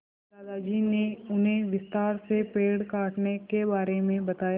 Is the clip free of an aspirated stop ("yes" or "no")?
yes